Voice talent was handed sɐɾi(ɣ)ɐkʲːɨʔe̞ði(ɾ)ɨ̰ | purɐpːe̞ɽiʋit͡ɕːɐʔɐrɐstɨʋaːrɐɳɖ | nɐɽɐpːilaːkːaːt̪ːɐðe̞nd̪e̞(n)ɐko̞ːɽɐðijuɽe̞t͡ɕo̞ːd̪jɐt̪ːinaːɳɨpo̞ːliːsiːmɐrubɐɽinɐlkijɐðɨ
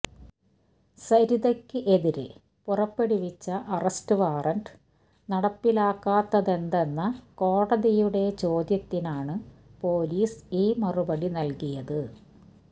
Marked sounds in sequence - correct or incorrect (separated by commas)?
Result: incorrect, correct, incorrect